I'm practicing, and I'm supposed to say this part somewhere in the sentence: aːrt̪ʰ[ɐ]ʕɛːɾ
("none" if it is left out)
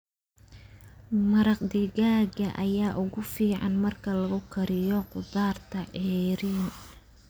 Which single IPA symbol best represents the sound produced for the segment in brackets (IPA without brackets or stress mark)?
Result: ɐ